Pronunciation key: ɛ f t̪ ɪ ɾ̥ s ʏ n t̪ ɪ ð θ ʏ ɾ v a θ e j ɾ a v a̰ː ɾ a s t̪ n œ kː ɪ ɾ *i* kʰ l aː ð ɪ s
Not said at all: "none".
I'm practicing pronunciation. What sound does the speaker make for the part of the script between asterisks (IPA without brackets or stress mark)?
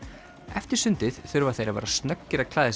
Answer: a